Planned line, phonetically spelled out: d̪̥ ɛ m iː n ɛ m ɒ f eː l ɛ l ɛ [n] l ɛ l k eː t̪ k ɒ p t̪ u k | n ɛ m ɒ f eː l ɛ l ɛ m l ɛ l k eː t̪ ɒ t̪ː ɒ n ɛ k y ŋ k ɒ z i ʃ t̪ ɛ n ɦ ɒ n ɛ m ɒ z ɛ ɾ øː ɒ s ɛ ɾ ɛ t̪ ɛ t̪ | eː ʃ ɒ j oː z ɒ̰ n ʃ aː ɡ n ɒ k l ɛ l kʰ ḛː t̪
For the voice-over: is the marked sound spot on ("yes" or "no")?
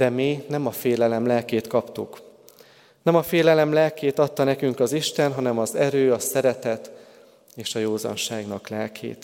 no